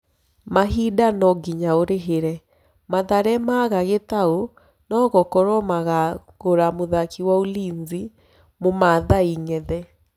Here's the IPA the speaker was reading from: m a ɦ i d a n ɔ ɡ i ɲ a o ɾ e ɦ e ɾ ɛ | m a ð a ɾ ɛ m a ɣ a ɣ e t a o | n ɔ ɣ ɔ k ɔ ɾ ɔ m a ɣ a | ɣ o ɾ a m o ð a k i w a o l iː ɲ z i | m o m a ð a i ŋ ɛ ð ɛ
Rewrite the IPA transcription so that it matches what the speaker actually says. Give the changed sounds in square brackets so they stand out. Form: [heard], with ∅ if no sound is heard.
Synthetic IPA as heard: m a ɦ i d a n ɔ ɡ i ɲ a o ɾ e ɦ e ɾ ɛ | m a ð a ɾ ɛ m a ɣ a ɣ e t a o | n ɔ ɣ ɔ k ɔ ɾ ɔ m a ɣ a | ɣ o ɾ a m o ð a k i w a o l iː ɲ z i | m o m a ð a i ŋ ɛ ð ɛ

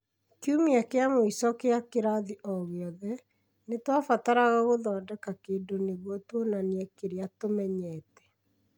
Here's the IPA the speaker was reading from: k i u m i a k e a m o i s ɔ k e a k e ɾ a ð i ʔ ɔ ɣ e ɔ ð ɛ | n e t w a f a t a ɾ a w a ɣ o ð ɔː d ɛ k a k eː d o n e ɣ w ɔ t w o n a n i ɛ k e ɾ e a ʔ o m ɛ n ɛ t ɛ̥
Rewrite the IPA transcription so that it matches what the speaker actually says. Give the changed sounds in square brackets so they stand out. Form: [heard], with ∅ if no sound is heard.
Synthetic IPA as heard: k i u m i a k e a m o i s ɔ k e a k e ɾ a ð i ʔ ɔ ɣ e ɔ ð ɛ | n e t w a f a t a ɾ a [ɣ] a ɣ o ð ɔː d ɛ k a k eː d o n e ɣ w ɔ t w o n a n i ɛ k e ɾ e a [t] o m ɛ [ɲ] ɛ t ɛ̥

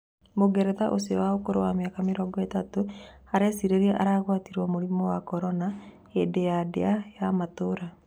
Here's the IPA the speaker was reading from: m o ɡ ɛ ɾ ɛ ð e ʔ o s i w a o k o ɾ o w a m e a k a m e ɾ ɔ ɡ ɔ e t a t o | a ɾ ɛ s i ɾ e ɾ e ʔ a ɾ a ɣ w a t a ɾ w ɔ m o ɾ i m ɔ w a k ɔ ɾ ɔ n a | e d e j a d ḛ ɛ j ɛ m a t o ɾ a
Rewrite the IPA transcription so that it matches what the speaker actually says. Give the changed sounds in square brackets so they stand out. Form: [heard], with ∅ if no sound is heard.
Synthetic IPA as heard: m o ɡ ɛ ɾ ɛ ð [a] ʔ o s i w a o k o ɾ o w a m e a k a m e ɾ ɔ ɡ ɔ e t a t o | a ɾ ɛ s i ɾ e ɾ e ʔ a ɾ a ɣ w a t [i] ɾ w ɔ m o ɾ i m ɔ w a k ɔ ɾ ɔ n a | e d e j a d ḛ [a] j [a] m a t o ɾ a

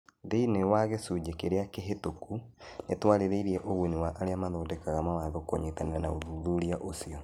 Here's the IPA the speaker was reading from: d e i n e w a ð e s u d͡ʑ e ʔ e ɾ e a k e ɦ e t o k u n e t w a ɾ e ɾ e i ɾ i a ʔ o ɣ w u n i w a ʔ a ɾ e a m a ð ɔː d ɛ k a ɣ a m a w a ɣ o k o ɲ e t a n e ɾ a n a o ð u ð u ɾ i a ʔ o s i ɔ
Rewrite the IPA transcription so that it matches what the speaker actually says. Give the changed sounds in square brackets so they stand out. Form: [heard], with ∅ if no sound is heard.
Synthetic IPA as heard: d e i n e w a [ɣ] e s u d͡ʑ e [k] e ɾ e a k e ɦ e t o k u n e t w a ɾ e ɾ e i ɾ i [ɛ] ʔ o ɣ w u n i w a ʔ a ɾ e a m a ð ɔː d ɛ k a ɣ a m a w a [ð] o k o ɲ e t a n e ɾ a n a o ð u ð u ɾ i a ʔ o s i ɔ

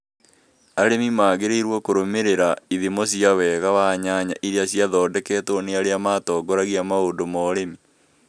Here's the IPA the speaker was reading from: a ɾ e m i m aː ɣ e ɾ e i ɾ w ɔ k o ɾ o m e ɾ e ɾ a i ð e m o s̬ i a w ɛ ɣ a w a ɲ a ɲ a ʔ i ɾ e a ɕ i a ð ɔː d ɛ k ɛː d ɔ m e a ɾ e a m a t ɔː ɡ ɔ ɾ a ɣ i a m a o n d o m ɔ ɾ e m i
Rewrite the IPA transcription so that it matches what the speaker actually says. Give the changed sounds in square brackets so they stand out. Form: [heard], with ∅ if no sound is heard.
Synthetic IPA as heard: a ɾ e m i m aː ɣ e ɾ e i ɾ w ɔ k o ɾ o m e ɾ e ɾ a i ð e m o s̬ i a w ɛ ɣ a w a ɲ a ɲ a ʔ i ɾ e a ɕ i a ð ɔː d ɛ k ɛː [t] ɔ [n] e a ɾ e a m a t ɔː ɡ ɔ ɾ a ɣ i a m a o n d o m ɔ ɾ e m i

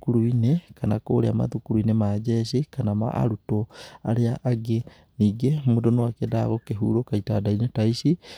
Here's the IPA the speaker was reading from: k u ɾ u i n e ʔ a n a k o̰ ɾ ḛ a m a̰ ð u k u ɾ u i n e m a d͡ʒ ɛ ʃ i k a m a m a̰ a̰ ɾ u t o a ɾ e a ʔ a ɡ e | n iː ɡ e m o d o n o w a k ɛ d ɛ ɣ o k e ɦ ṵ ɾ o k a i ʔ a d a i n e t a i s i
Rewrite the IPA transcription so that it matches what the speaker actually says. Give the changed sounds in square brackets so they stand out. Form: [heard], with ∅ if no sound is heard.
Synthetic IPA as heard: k u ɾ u i n e [k] a n a k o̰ ɾ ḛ a m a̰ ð u k u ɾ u i n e m a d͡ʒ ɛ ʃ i k a [n] a m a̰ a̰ ɾ u t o a ɾ e a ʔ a ɡ e | n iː ɡ e m o d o n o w a k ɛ d [a] ɣ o k e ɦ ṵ ɾ o k a i [t] a d a i n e t a i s i

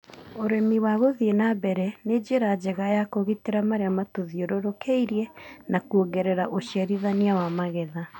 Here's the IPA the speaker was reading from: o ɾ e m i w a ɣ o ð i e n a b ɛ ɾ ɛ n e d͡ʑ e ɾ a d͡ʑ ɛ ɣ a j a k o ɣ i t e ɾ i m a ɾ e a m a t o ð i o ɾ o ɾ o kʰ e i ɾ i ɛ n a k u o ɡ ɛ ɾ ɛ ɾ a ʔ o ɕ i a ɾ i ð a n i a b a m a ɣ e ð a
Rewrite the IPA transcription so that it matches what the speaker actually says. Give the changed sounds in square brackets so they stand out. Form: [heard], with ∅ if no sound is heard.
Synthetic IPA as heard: o ɾ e m i w a ɣ o ð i e n a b ɛ ɾ ɛ n e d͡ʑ e ɾ a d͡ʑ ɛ ɣ a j a k o ɣ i t e ɾ [a] m a ɾ e a m a t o ð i o ɾ o ɾ o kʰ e i ɾ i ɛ n a k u o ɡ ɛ ɾ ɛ ɾ a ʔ o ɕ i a ɾ i ð a n i a [w] a m a ɣ [ɛ] ð a

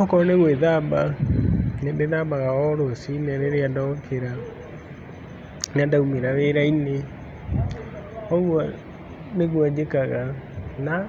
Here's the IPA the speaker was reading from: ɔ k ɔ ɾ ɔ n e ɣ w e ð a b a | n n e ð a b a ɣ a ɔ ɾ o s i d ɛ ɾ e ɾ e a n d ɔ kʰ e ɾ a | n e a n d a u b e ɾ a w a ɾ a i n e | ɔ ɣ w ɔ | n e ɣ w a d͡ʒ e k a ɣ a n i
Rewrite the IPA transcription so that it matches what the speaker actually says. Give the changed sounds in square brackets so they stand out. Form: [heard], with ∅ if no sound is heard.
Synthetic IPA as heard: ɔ k ɔ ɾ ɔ n e ɣ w e ð a b a | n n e ð a b a ɣ a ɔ ɾ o s i [n] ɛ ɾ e ɾ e a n d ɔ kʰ e ɾ a | n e a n d a u [m] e ɾ a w [e] ɾ a i n e | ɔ ɣ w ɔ | n e ɣ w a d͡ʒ e k a ɣ a n [a]

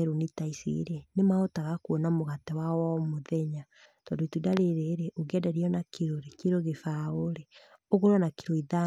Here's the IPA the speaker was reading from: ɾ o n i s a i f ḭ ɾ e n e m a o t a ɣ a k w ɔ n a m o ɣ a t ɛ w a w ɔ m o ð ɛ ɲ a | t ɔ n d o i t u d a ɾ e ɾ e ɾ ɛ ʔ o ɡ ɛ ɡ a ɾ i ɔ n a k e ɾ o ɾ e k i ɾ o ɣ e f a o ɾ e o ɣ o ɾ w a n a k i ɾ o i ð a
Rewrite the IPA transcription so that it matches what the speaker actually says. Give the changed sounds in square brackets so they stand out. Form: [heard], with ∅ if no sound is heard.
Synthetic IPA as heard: ɾ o n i [t] a i [s] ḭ ɾ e n e m a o t a ɣ a k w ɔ n a m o ɣ a t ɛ w a w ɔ m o ð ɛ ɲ a | t ɔ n d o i t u d a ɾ e ɾ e ɾ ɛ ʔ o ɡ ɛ [d] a ɾ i ɔ n a k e ɾ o ɾ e k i ɾ o ɣ e f a o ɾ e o ɣ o ɾ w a n a k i ɾ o i ð a

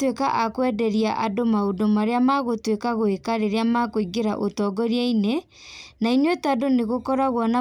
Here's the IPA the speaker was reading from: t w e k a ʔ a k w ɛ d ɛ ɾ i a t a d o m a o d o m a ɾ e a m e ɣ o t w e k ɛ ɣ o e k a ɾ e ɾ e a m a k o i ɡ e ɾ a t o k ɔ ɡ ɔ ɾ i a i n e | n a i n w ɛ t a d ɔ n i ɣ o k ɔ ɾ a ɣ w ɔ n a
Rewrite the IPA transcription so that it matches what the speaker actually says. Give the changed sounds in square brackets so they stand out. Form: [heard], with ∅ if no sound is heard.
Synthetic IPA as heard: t w e k a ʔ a k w ɛ d ɛ ɾ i a [ʔ] a d o m a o d o m a ɾ e a m [a] ɣ o t w e k [a] ɣ o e k a ɾ e ɾ e a m a k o i ɡ e ɾ a [ʔ] o [t] ɔ ɡ ɔ ɾ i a i n e | n a i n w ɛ t a d [o] n [e] ɣ o k ɔ ɾ a ɣ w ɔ n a

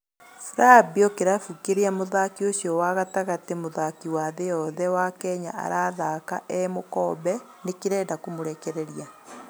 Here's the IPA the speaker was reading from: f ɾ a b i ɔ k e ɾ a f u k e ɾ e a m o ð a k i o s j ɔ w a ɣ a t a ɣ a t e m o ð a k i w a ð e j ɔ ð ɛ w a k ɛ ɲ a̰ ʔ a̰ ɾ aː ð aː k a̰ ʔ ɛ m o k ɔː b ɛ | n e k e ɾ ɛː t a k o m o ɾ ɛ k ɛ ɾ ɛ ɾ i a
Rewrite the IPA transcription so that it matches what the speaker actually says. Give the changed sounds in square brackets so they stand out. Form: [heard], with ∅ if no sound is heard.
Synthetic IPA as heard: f ɾ a b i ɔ k e ɾ a f u k e ɾ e a m o ð a k i o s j ɔ w a ɣ a t a ɣ a t e m o ð a k i w a ð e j ɔ ð ɛ w a k ɛ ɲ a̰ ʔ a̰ ɾ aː ð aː k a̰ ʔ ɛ m o k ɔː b ɛ | n e k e ɾ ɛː [d] a k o m o ɾ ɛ k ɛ ɾ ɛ ɾ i a

